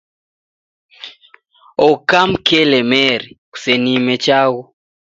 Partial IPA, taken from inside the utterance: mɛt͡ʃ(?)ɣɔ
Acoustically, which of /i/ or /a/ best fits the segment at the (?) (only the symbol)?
a